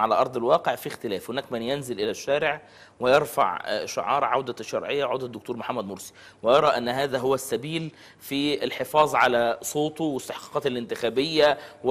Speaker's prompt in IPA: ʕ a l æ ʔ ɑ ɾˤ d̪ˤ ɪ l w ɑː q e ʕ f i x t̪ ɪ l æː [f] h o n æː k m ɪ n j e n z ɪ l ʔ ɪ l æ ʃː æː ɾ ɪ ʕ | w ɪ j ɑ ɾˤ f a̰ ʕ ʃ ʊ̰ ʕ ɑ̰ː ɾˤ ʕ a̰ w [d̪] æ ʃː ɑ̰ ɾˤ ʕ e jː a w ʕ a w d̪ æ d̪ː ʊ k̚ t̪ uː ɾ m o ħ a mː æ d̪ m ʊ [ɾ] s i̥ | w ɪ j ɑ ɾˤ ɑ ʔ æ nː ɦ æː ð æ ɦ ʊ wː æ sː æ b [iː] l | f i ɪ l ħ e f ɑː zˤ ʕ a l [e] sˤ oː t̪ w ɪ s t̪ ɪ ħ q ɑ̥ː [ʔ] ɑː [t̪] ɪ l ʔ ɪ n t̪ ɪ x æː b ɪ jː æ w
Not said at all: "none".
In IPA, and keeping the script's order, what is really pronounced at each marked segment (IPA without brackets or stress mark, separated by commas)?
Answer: f, d̪, ɾ, iː, æ, q, t̪